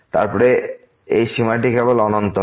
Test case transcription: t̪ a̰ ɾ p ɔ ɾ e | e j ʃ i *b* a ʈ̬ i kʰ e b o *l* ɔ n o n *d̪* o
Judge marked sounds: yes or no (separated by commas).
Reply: no, yes, no